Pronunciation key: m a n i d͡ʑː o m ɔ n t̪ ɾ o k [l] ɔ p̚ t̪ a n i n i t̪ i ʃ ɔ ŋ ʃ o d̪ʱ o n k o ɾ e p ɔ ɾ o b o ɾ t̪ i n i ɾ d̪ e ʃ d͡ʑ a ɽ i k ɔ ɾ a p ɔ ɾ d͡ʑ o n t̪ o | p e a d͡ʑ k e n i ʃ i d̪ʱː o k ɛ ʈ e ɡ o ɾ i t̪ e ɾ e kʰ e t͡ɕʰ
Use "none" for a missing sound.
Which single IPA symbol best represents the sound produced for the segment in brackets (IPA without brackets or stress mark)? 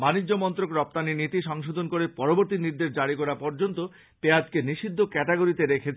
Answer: ɾ